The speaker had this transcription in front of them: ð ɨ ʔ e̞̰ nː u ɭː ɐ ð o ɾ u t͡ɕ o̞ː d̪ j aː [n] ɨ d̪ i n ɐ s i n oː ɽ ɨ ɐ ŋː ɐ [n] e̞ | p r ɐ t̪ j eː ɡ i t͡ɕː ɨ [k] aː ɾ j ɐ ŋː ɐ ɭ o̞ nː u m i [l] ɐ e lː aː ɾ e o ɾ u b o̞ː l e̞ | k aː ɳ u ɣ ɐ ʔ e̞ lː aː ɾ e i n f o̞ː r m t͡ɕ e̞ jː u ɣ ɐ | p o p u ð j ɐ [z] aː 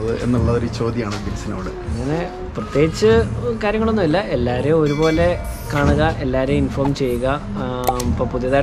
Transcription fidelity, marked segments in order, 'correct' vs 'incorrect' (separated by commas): incorrect, correct, correct, incorrect, incorrect